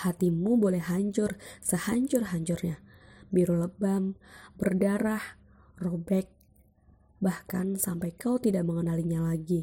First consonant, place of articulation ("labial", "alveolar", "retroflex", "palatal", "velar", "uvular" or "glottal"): glottal